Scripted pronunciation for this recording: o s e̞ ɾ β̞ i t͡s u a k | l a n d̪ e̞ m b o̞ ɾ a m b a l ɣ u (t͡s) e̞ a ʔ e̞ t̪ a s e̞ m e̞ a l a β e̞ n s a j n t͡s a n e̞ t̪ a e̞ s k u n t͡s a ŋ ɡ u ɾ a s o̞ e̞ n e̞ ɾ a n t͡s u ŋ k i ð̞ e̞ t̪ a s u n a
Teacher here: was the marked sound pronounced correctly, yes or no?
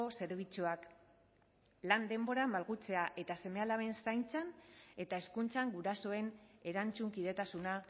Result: yes